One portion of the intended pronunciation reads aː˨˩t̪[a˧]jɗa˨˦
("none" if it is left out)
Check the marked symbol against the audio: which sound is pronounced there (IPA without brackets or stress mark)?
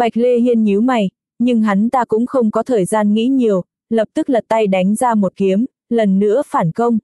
a˧